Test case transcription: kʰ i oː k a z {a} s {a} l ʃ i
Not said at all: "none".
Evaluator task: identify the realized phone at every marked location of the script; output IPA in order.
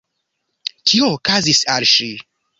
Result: i, a

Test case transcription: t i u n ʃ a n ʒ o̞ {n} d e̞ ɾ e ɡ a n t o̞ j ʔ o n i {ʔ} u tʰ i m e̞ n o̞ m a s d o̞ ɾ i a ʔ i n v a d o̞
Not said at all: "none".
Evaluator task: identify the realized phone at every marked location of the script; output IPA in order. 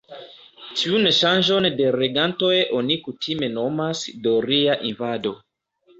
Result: n, k

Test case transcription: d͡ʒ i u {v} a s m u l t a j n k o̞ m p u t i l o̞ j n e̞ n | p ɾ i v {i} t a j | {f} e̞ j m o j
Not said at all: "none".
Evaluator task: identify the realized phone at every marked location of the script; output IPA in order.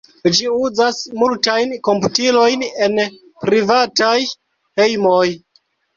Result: z, a, h

